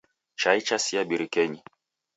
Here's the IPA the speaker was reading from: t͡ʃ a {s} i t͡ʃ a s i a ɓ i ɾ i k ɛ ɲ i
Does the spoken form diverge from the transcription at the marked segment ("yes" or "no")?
yes